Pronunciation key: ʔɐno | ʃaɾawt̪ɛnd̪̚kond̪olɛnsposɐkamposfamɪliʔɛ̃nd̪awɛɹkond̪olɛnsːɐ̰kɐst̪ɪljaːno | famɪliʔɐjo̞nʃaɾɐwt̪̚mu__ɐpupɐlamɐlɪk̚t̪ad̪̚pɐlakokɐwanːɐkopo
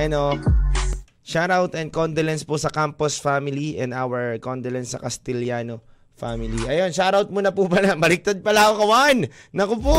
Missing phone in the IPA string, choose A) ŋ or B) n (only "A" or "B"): B